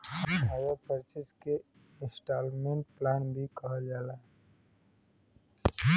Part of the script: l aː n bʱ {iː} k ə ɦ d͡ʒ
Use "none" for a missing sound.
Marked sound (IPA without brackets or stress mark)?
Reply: i